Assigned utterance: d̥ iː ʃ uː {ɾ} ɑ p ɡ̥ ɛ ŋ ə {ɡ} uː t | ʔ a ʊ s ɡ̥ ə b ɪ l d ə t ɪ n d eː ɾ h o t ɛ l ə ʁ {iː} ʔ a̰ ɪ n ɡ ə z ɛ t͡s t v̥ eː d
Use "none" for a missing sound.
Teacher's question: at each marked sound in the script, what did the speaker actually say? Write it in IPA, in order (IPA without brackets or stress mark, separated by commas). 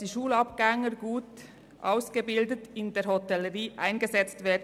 l, ɡ, iː